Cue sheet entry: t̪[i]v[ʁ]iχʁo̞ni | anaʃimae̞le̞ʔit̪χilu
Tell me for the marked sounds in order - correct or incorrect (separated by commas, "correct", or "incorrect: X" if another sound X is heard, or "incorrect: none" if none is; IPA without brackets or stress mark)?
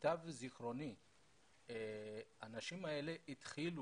incorrect: a, incorrect: z